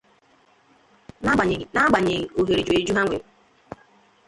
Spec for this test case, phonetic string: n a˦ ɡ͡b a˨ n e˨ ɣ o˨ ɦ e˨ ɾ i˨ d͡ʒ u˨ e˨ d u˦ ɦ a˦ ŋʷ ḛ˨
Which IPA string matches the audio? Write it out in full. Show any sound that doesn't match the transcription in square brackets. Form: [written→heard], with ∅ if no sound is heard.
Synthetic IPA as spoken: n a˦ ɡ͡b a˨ [n→ɲ] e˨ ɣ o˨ ɦ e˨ ɾ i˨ d͡ʒ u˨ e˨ [d→d͡ʒ] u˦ ɦ a˦ ŋʷ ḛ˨